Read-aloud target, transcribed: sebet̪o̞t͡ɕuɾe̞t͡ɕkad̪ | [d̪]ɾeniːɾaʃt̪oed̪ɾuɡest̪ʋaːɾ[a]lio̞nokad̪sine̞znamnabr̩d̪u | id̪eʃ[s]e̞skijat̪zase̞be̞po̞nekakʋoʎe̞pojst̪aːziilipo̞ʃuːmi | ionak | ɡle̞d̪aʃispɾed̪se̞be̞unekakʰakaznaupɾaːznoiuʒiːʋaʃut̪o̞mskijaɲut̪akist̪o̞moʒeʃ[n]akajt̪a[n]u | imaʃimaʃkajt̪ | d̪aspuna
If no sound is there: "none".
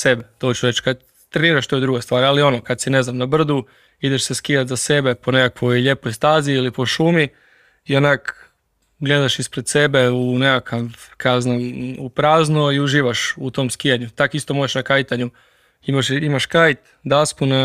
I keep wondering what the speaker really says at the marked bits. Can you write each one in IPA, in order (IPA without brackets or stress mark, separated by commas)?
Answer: t̪, a, s, n, ɲ